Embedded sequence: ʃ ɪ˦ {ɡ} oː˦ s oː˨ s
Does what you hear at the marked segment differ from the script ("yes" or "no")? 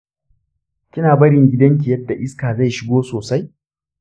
no